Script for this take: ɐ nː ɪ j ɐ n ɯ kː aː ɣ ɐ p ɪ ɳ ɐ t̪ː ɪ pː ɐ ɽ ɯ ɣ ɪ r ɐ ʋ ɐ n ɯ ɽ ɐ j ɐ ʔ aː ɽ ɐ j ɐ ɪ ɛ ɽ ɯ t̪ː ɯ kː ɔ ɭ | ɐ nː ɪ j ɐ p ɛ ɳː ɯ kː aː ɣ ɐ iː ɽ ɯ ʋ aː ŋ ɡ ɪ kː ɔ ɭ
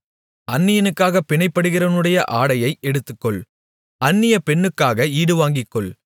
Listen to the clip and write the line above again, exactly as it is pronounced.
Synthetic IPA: ɐ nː ɪ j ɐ n ɯ kː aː ɣ ɐ p ɪ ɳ ɐ ɪ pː ɐ ɽ ɯ ɣ ɪ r ɐ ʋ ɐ n ɯ ɽ ɐ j ɐ ʔ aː ɽ ɐ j ɐ ɪ ɛ ɽ ɯ t̪ː ɯ kː ɔ ɭ | ɐ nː ɪ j ɐ p ɛ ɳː ɯ kː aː ɣ ɐ iː ɽ ɯ ʋ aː ŋ ɡ ɪ kː ɔ ɭ

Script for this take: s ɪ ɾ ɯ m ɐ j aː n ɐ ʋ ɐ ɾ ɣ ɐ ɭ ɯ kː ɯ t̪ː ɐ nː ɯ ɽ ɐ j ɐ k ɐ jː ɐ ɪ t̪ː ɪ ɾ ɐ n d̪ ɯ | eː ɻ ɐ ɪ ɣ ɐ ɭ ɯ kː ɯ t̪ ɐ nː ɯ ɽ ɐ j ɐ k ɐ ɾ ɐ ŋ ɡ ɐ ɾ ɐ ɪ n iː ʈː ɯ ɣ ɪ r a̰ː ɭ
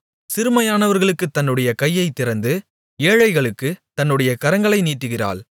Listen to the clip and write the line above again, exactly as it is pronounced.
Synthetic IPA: s ɪ ɾ ɯ m ɐ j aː n ɐ ʋ ɐ ɾ ɣ ɐ ɭ ɯ kː ɯ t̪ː ɐ nː ɯ ɽ ɐ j ɐ k ɐ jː ɐ ɪ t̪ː ɪ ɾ ɐ n d̪ ɯ | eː ɻ ɐ ɪ ɣ ɐ ɭ ɯ kː ɯ t̪ ɐ nː ɯ ɽ ɐ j ɐ k ɐ ɾ ɐ ŋ ɡ ɐ ɭ ɐ ɪ n iː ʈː ɯ ɣ ɪ r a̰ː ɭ

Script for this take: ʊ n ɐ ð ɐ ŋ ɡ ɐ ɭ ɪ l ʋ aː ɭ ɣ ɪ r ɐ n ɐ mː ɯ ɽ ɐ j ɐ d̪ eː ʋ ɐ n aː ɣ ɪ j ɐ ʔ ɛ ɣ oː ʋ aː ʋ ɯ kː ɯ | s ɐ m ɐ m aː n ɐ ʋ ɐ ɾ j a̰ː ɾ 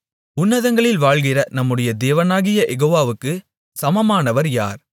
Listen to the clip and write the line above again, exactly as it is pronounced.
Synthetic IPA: ʊ nː ɐ ð ɐ ŋ ɡ ɐ ɭ ɪ l ʋ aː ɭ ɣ ɪ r ɐ n ɐ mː ɯ ɽ ɐ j ɐ d̪ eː ʋ ɐ n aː ɣ ɪ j ɐ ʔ ɛ ɣ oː ʋ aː ʋ ɯ kː ɯ | s ɐ m ɐ m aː n ɐ ʋ ɐ ɾ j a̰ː ɾ

